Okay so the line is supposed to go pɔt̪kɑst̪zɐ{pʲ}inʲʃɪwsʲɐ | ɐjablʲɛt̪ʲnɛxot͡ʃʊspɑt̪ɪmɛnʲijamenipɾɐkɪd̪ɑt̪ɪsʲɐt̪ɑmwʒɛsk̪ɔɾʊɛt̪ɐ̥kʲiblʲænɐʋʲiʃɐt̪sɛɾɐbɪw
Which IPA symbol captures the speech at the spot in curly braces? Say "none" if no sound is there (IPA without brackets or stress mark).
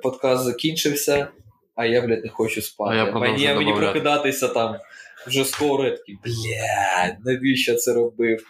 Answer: kʲ